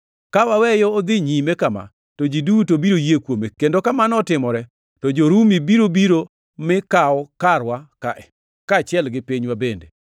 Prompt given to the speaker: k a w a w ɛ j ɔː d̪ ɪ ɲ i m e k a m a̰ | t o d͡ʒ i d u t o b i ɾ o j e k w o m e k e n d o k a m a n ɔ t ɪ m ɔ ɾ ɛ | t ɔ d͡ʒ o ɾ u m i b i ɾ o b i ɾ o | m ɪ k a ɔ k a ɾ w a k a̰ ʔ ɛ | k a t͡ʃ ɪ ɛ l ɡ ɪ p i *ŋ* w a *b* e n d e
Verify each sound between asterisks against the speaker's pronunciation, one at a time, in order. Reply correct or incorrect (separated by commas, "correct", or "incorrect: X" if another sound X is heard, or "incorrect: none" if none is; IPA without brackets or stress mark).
incorrect: ɲ, correct